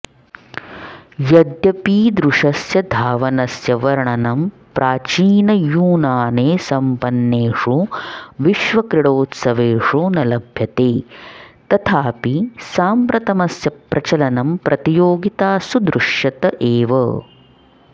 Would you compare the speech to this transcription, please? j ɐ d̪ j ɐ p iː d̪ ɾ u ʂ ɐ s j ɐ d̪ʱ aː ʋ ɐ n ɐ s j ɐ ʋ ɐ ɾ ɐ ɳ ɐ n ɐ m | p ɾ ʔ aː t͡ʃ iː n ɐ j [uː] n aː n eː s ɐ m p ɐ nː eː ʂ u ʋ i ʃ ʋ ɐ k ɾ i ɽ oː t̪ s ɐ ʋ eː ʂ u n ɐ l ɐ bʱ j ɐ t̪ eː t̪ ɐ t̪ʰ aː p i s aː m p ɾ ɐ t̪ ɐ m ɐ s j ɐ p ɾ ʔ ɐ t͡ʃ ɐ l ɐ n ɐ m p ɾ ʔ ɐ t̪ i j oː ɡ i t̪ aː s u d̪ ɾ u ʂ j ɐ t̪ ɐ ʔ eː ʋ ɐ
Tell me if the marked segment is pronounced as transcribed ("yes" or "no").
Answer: yes